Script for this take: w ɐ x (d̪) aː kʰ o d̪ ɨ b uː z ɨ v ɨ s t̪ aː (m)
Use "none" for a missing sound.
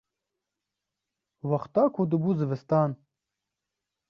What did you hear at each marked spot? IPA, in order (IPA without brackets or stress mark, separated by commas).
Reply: t̪, n